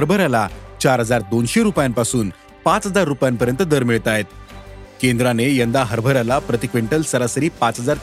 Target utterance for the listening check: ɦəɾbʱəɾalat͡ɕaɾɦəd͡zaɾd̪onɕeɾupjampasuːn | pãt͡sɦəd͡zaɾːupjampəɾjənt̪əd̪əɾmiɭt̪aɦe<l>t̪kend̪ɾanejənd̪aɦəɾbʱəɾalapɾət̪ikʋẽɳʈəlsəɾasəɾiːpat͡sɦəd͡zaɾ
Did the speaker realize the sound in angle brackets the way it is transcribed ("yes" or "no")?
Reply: no